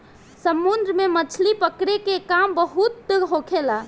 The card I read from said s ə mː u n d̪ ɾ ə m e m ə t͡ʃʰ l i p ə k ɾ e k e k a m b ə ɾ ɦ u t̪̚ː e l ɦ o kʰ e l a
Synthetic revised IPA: s ə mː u n d̪ ɾ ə m e m ə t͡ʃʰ l i p ə k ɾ e k e k a m b ə ɦ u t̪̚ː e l ɦ o kʰ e l a

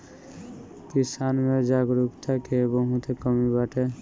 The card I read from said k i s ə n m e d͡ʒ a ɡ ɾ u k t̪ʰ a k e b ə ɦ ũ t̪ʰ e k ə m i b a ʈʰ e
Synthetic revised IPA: k i s a n m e d͡ʒ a ɡ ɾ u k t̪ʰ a k e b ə ɦ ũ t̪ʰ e k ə m i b a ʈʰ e

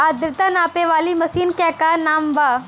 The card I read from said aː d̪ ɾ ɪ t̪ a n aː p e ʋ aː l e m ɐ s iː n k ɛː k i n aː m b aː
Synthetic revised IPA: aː d̪ ɾ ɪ t̪ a n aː p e ʋ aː l i m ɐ s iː n k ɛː k a n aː m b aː

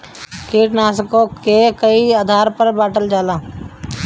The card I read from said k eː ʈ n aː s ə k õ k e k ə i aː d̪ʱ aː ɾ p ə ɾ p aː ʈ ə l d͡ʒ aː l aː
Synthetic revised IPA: k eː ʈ n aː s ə k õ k e k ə i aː d̪ʱ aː ɾ p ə ɾ b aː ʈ ə l d͡ʒ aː l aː

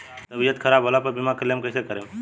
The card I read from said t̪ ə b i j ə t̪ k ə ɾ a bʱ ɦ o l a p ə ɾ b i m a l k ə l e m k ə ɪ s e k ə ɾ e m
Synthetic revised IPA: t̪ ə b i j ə t̪ kʰ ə ɾ a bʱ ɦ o l a p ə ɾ b i m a k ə l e m k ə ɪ s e k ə ɾ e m

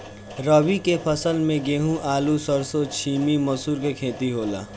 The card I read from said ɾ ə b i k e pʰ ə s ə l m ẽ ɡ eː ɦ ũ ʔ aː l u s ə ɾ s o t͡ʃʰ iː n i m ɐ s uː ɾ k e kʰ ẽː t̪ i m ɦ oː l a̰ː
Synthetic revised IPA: ɾ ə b i k e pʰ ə s ə l m ẽ ɡ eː ɦ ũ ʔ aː l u s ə ɾ s o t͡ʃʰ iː m i m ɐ s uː ɾ k e kʰ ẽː t̪ i ɦ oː l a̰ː

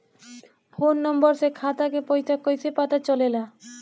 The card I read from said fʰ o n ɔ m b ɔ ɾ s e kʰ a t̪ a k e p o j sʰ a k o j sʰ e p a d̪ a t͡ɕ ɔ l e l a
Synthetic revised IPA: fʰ o nː ɔ m b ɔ ɾ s e kʰ a t̪ a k e p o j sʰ a k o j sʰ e p a t̪ a t͡ɕ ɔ l e l a

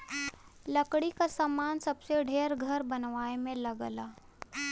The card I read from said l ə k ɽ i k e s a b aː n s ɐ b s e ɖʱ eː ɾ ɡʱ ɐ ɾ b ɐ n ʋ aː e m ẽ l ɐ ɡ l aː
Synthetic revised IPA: l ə k ɽ i k a s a m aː n s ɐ b s e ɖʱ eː ɾ ɡʱ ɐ ɾ b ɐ n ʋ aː e m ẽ l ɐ ɡ l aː

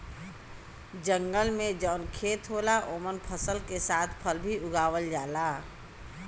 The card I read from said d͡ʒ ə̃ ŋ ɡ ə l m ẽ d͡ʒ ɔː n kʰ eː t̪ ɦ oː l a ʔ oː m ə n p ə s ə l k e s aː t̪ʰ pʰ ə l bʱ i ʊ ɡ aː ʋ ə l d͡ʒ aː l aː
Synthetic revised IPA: d͡ʒ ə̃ ŋ ɡ ə l m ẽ d͡ʒ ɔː n kʰ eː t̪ ɦ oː l a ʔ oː m ə n pʰ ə s ə l k e s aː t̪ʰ pʰ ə l bʱ i ʊ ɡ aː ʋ ə l d͡ʒ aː l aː

